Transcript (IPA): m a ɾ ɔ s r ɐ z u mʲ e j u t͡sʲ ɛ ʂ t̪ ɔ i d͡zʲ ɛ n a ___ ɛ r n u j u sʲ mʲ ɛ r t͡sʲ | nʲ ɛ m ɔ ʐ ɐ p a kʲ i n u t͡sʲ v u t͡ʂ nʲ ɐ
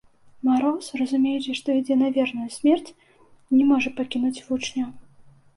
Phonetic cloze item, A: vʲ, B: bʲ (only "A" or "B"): A